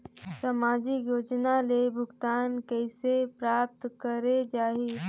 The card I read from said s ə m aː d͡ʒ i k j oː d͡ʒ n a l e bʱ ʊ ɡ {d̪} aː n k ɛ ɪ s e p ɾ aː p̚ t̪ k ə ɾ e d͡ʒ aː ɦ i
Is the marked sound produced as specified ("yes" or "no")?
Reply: no